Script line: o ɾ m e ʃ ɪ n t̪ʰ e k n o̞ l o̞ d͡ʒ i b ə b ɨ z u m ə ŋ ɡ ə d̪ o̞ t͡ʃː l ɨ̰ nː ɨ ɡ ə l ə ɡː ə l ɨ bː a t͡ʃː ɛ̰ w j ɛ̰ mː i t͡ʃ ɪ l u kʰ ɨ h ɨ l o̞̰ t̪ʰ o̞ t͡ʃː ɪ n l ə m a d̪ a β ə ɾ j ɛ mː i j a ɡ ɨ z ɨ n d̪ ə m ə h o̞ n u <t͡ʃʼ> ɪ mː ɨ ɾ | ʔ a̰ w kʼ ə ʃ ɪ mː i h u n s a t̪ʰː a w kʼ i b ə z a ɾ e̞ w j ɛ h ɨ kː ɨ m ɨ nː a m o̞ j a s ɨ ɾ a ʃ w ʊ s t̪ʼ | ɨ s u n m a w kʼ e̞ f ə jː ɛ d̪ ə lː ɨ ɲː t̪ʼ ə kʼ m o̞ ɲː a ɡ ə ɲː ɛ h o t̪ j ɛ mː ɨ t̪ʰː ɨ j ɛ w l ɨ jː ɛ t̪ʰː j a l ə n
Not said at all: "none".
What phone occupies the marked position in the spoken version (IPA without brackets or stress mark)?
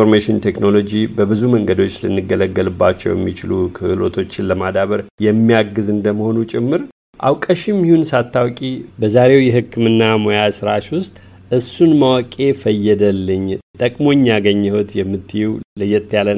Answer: t͡ʃʼ